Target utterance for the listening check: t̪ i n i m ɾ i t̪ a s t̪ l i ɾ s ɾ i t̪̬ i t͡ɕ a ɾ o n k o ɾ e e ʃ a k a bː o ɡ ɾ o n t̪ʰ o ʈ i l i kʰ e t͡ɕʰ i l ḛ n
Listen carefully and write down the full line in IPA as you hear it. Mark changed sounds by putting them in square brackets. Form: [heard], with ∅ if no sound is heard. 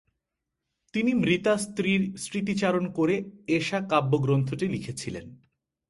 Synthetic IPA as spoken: t̪ i n i m ɾ i t̪ a s t̪ [ɾ] i ɾ s ɾ i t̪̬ i t͡ɕ a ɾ o n k o ɾ e e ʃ a k a bː o ɡ ɾ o n t̪ʰ o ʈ i l i kʰ e t͡ɕʰ i l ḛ n